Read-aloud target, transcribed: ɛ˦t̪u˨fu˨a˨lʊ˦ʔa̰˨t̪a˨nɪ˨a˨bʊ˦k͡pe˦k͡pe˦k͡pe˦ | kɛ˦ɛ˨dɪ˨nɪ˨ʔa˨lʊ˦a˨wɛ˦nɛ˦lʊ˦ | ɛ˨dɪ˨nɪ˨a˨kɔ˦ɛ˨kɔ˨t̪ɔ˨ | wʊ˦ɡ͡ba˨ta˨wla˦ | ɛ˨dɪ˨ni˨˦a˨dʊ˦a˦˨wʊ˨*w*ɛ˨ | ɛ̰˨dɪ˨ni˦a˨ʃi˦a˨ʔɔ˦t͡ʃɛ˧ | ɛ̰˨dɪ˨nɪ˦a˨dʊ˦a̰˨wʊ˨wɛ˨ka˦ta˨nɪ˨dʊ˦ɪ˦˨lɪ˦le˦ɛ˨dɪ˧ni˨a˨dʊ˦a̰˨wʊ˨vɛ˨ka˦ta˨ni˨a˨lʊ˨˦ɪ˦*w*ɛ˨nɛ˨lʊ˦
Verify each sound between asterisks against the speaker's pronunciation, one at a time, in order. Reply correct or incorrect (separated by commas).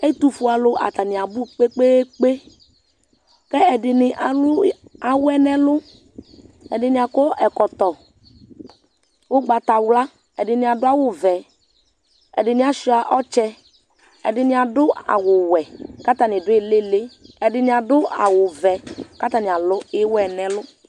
incorrect, correct